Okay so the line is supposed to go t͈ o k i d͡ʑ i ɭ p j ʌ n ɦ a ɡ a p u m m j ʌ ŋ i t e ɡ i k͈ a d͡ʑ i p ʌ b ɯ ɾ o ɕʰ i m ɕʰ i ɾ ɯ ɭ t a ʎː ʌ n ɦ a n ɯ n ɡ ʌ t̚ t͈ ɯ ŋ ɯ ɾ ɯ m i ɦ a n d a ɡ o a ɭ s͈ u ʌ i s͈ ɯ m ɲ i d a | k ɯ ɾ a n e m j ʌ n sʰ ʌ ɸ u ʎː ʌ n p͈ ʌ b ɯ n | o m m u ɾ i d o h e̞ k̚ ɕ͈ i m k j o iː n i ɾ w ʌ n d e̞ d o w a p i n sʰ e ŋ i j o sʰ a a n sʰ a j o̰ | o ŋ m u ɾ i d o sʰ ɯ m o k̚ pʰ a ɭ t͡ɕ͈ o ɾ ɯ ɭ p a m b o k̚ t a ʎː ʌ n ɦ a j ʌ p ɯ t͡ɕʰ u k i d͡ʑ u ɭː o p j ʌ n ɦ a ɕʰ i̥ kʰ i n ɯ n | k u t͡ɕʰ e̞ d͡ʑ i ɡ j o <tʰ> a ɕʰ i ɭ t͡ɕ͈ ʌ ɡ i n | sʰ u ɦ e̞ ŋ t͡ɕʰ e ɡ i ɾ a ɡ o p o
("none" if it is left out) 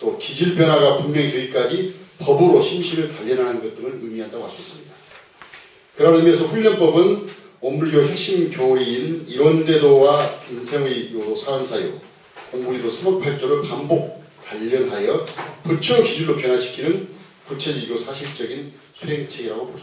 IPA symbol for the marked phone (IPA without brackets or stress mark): sʰ